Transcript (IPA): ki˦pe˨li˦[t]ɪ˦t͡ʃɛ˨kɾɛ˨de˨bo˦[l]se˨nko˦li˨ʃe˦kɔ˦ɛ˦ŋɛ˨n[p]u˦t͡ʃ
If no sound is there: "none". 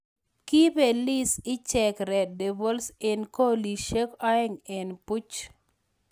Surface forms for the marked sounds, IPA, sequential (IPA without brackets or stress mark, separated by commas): s, l, p